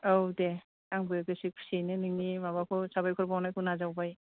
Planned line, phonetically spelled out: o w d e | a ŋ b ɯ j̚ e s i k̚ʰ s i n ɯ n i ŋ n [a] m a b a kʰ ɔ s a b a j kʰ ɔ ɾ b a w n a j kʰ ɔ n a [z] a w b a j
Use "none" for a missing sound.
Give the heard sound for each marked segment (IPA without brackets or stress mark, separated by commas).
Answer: i, z